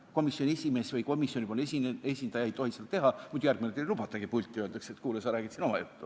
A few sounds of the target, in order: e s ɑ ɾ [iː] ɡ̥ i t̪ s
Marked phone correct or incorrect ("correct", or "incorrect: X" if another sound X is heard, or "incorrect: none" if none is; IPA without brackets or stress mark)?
incorrect: æː